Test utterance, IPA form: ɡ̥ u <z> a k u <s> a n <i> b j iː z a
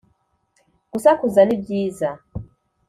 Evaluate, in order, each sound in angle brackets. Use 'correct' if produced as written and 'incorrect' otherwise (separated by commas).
incorrect, incorrect, correct